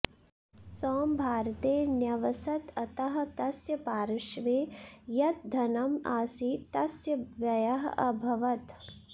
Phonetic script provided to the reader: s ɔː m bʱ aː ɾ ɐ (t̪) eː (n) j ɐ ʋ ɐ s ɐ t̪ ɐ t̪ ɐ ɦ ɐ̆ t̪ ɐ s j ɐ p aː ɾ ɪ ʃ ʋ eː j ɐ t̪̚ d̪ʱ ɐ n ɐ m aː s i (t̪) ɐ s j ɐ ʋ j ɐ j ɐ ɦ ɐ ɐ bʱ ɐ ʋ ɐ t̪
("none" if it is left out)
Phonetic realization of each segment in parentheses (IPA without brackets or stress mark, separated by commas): t̪, n, t̪